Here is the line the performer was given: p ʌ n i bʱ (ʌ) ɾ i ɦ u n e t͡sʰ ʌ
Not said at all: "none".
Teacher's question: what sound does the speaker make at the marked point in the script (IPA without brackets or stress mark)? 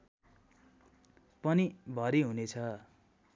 ʌ